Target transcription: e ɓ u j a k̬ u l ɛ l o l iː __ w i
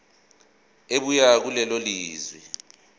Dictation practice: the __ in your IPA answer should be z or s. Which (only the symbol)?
z